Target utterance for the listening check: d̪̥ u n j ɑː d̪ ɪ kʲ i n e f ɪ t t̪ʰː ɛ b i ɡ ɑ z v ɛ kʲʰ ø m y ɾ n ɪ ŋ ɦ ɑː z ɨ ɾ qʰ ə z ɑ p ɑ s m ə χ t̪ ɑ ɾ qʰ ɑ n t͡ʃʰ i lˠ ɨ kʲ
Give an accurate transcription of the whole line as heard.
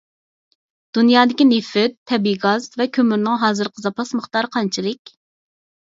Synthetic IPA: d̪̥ u n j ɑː d̪ ɪ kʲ i n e f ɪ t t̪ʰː ɛ b i ɡ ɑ z v ɛ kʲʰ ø m y ɾ n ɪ ŋ ɦ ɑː z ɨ ɾ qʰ ə z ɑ p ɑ s m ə χ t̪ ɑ ɾ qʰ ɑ n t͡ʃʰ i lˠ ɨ kʲ